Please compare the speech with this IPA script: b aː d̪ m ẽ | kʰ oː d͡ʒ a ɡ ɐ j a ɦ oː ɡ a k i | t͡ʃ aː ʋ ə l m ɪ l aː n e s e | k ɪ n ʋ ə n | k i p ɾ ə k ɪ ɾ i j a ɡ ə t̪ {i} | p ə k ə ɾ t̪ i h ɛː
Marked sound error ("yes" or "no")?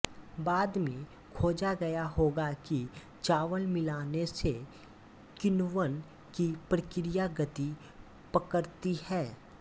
no